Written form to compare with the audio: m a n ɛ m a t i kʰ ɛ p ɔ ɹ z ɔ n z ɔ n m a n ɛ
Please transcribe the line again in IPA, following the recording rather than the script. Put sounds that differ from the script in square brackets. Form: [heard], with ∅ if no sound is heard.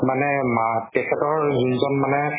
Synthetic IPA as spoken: m a n ɛ m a t [ɛ] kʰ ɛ [t] ɔ ɹ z [u] n z ɔ n m a n ɛ

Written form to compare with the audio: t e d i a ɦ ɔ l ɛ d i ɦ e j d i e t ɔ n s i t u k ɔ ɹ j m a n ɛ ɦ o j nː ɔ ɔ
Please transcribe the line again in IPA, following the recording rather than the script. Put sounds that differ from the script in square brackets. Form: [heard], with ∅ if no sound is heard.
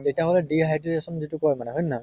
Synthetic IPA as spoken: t e [t] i a ɦ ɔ l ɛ d i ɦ [a] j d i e [s] ɔ n [z] i t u k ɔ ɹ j m a n ɛ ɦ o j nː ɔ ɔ

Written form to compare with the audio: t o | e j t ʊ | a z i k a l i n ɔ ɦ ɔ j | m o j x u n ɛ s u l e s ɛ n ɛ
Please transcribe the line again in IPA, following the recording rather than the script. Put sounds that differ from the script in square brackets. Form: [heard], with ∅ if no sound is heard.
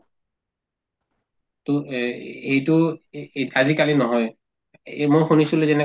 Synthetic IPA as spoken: t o | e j t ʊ | a z i k a l i n ɔ ɦ ɔ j | m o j x u n [i] s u l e [z] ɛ n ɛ

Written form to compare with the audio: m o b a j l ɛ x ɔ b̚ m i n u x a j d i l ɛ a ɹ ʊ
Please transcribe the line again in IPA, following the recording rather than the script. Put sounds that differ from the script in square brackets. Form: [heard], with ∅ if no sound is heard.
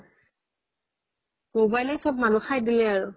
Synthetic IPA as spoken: m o b a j l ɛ [s] ɔ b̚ m [a] n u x a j d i l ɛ a ɹ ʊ

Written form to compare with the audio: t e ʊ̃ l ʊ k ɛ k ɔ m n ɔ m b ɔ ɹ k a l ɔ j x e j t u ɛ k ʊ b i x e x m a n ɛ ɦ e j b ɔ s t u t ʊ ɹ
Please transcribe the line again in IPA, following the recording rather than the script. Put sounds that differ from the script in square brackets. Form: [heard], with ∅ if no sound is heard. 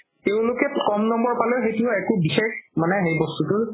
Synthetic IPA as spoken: t e ʊ̃ l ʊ k ɛ k ɔ m n ɔ m b ɔ ɹ [p] a l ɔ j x e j t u ɛ k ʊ b i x e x m a n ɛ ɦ e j b ɔ s t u t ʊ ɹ

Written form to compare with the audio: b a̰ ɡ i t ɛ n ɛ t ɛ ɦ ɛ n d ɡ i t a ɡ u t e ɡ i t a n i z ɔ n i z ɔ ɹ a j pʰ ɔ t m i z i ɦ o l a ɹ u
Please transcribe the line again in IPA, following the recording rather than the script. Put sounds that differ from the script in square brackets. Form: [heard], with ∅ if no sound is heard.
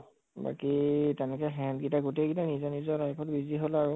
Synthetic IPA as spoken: b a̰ [k] i t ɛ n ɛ [k] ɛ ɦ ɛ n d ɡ i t a ɡ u t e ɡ i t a n i z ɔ n i z ɔ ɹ a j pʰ ɔ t [b] i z i ɦ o l a ɹ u

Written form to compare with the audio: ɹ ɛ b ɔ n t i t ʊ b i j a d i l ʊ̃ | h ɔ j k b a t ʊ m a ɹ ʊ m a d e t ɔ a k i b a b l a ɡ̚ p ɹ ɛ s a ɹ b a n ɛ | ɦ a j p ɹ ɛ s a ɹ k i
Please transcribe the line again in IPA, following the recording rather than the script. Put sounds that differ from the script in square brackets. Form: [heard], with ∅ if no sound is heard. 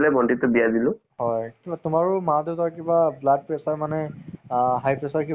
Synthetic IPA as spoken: [l] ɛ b ɔ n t i t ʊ b i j a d i l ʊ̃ | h ɔ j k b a t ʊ m a ɹ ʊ m a d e t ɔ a k i b a b l a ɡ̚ p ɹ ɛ s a ɹ [m] a n ɛ | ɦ a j p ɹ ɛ s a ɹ k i

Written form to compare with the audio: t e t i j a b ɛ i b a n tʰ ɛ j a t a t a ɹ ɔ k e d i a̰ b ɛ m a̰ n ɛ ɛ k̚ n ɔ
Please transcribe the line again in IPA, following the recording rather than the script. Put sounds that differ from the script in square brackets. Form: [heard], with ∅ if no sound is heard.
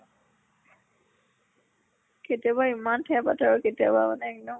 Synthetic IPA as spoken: [k] e t i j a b [a] i [m] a n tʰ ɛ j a [p] a t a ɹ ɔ k e [t] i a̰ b [a] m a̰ n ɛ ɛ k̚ n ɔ

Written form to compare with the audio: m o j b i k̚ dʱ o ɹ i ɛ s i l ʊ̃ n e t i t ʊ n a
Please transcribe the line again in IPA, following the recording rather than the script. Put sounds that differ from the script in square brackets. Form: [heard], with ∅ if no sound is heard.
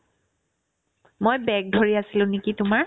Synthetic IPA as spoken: m o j b [ɛ] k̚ dʱ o ɹ i [a] s i l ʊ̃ n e [k] i t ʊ [m] a

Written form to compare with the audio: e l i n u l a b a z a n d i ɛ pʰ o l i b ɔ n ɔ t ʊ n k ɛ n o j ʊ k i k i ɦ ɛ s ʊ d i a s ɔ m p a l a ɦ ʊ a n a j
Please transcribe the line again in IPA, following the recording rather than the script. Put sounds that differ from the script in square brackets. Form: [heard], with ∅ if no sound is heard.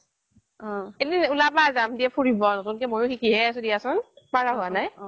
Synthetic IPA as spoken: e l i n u l a b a z a [m] d i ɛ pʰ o [ɹ] i b ɔ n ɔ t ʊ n k ɛ [m] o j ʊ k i k i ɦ ɛ s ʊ d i a s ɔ [n] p a [ɹ] a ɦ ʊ a n a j

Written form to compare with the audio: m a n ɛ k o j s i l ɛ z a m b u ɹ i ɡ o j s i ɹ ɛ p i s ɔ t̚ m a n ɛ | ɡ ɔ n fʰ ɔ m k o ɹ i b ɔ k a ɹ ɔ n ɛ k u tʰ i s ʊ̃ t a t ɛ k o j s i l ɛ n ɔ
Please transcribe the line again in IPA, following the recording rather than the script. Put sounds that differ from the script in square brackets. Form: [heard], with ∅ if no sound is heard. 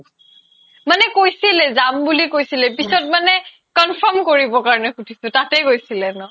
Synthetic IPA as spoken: m a n ɛ k o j s i l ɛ z a m b u [l] i [k] o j s i [l] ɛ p i s ɔ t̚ m a n ɛ | [k] ɔ n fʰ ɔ m k o ɹ i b ɔ k a ɹ ɔ n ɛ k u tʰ i s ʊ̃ t a t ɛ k o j s i l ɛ n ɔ

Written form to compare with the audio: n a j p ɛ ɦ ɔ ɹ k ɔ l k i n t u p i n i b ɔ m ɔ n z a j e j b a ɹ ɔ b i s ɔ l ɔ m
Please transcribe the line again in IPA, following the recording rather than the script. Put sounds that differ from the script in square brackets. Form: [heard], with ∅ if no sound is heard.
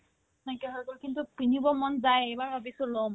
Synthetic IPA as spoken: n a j [k] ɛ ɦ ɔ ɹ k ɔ l k i n t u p i n i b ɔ m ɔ n z a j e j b a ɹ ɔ b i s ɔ l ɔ m

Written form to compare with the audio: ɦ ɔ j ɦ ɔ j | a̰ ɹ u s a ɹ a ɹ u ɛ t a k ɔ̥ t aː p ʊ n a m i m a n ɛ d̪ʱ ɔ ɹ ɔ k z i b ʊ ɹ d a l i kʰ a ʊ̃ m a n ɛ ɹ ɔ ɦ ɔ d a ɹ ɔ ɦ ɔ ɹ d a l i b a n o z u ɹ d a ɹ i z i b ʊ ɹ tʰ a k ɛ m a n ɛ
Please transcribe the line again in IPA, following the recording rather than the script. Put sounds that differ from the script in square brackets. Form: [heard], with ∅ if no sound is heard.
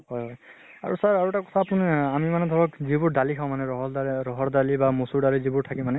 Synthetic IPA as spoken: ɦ ɔ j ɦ ɔ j | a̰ ɹ u s a ɹ a ɹ u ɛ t a k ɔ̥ [tʰ] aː p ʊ n a m i m a n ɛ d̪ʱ ɔ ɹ ɔ k z i b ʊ ɹ d a l i kʰ a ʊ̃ m a n ɛ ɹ ɔ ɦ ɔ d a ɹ ɔ ɦ ɔ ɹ d a l i b a [m] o [s] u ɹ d a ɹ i z i b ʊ ɹ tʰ a k [i] m a n ɛ

